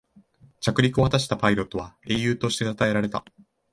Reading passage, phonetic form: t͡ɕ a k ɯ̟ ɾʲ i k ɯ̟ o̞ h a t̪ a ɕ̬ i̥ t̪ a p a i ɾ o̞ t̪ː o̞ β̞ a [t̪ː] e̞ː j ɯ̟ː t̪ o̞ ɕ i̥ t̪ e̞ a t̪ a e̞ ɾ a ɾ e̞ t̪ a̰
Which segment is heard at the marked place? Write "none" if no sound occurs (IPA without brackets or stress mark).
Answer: none